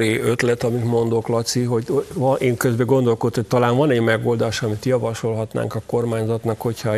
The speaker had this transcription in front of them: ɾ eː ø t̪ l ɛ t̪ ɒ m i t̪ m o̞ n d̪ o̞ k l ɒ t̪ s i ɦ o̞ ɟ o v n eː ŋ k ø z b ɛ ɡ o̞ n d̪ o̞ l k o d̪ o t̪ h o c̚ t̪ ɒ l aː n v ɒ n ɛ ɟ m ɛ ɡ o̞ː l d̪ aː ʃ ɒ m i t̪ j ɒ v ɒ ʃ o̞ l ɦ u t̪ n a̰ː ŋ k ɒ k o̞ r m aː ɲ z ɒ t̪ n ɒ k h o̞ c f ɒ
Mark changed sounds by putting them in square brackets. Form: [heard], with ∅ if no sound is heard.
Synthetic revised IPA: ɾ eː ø t̪ l ɛ t̪ ɒ m i t̪ m o̞ n d̪ o̞ k l ɒ t̪ s i ɦ o̞ ɟ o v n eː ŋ k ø z b ɛ ɡ o̞ n d̪ o̞ l k o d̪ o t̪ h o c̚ t̪ ɒ l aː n v ɒ n ɛ ɟ m ɛ ɡ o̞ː l d̪ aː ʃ ɒ m i t̪ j ɒ v ɒ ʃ o̞ l ɦ [ɒ] t̪ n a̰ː ŋ k ɒ k o̞ r m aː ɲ z ɒ t̪ n ɒ k h o̞ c [h] ɒ